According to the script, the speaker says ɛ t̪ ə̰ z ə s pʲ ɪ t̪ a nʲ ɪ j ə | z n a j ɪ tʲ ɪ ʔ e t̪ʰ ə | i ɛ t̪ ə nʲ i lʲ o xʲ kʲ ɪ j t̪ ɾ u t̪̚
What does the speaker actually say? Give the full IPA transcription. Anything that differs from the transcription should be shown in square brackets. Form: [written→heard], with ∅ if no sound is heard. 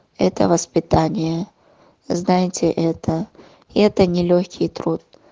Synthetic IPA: ɛ t̪ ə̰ [z→v] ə s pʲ ɪ t̪ a nʲ ɪ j ə | z n a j ɪ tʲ ɪ ʔ [e→ɛ] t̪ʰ ə | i ɛ t̪ ə nʲ [i→ɪ] lʲ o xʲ kʲ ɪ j t̪ ɾ u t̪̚